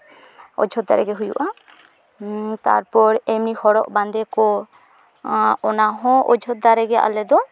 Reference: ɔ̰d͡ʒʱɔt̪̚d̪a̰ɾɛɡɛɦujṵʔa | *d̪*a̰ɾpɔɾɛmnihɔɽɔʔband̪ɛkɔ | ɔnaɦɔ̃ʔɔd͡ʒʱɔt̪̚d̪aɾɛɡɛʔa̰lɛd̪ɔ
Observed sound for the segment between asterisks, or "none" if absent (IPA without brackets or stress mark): t̪